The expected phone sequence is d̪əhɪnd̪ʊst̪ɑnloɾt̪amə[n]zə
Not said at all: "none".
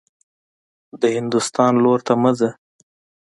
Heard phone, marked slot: none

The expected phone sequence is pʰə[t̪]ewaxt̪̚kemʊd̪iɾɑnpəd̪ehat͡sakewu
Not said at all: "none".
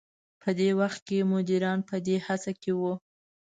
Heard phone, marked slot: d̪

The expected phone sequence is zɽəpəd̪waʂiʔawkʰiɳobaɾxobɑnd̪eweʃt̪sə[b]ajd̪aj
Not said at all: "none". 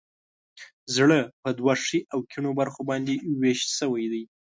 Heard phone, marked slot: w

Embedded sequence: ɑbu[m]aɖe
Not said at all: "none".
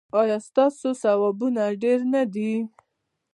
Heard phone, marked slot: n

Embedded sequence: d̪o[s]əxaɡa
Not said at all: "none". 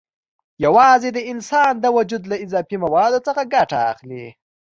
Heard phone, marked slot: t͡s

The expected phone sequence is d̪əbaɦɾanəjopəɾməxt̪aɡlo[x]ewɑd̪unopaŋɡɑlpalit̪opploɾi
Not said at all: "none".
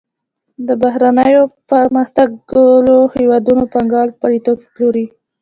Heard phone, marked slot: h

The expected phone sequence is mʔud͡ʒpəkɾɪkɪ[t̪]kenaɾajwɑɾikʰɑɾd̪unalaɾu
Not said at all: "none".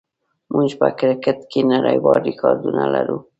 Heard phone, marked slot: t̪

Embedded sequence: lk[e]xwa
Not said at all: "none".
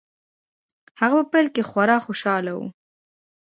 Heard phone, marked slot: e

